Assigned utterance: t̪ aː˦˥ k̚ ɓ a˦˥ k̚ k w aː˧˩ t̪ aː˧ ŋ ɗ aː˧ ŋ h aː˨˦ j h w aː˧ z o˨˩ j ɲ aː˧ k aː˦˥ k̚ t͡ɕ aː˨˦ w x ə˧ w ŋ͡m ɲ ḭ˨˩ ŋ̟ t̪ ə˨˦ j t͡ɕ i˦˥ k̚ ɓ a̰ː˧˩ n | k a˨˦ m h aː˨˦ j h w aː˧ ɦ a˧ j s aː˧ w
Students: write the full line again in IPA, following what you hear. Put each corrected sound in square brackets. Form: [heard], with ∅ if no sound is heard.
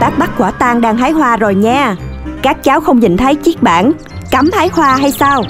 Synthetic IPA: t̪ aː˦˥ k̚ ɓ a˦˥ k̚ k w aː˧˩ t̪ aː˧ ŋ ɗ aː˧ ŋ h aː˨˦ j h w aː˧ z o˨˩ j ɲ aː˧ k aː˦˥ k̚ t͡ɕ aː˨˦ w x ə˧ w ŋ͡m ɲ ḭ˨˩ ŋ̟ [t̪ʰ] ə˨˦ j t͡ɕ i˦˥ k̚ ɓ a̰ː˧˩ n | k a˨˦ m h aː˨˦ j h w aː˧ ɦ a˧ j s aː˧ w